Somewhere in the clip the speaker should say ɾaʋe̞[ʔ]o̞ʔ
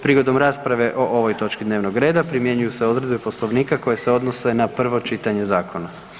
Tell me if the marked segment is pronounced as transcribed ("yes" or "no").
yes